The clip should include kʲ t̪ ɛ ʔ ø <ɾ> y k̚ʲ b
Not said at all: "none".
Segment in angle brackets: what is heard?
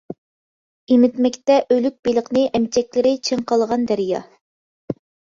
l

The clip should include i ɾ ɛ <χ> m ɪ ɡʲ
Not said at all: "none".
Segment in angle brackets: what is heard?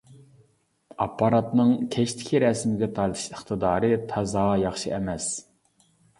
s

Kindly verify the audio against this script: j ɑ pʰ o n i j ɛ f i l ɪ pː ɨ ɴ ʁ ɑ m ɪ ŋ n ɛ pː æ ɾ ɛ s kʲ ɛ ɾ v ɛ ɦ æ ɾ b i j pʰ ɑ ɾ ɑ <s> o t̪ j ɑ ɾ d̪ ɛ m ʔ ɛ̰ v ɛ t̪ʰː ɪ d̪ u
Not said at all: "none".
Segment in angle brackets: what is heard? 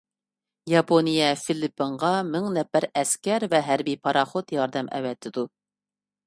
χ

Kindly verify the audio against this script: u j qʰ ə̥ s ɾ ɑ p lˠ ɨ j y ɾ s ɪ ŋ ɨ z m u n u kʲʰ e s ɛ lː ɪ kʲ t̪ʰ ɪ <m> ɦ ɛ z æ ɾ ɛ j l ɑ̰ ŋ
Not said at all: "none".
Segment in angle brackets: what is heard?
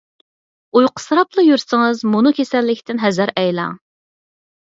n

